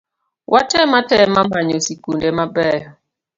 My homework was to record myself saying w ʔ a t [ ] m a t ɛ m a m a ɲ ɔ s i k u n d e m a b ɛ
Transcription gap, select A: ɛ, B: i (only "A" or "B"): A